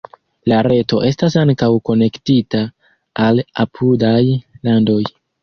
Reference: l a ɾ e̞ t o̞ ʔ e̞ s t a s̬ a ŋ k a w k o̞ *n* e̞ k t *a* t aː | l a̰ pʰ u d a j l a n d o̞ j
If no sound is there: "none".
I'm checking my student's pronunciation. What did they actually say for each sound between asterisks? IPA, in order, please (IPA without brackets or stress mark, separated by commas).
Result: n, i